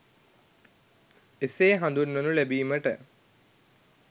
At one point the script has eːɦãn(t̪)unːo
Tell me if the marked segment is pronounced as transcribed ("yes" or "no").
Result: no